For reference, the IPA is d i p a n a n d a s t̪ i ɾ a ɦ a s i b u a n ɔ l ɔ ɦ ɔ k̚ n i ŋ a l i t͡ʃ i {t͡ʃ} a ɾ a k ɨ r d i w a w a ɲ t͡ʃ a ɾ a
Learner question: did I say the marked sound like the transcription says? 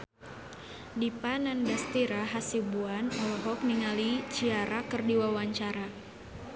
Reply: no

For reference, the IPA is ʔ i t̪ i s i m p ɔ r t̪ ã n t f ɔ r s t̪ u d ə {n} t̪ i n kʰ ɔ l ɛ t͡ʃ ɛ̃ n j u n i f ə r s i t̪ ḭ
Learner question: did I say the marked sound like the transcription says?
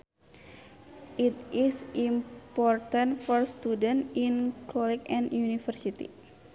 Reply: yes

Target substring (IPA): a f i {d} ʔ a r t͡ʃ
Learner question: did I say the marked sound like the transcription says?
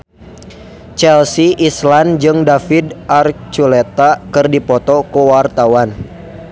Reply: yes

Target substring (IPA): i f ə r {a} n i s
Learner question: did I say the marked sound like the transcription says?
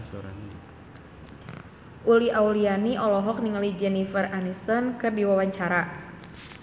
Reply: yes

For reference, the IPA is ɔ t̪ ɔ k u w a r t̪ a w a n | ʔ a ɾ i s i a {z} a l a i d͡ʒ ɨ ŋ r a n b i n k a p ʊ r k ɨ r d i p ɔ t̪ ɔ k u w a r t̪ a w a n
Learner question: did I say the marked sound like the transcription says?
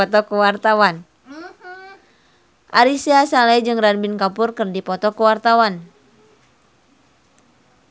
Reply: no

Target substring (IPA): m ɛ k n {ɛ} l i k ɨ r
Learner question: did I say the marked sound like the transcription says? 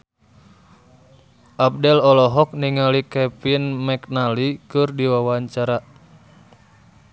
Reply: no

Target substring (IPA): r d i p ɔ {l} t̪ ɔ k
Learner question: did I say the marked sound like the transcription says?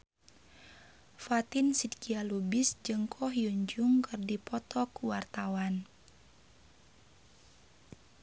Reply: no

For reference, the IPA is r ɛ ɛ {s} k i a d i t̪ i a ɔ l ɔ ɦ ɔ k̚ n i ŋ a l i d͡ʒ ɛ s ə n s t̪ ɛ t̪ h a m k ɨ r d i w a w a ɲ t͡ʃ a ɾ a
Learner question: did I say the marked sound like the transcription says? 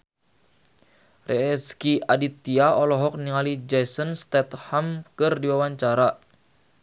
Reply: yes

